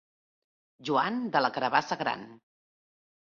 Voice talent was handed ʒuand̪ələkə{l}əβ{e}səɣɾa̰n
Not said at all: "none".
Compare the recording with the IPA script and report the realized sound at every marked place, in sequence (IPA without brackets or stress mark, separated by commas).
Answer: ɾ, a